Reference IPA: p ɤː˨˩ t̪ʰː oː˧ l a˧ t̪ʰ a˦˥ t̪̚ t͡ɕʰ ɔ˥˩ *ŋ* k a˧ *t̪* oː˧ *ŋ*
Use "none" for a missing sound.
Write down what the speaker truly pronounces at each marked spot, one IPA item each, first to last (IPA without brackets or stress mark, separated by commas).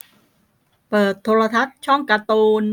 ŋ, t̪, n